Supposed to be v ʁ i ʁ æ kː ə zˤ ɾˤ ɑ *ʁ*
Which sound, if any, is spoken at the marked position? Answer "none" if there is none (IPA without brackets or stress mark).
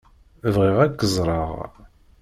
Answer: ʁ